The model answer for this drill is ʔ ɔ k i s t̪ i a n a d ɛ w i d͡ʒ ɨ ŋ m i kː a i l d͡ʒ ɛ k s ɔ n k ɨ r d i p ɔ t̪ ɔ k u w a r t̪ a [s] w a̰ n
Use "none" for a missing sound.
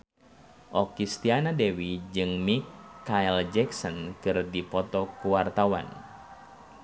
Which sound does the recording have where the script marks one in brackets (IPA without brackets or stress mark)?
none